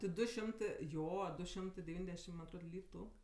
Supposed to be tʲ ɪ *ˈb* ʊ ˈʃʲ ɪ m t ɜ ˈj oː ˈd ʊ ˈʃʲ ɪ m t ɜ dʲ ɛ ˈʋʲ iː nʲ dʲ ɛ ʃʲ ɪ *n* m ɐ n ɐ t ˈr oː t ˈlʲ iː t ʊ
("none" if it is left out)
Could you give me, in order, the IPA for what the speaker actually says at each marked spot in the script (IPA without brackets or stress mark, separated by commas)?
d, m